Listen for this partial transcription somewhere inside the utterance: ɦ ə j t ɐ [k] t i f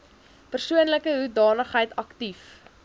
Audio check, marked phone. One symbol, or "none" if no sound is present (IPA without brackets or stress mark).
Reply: k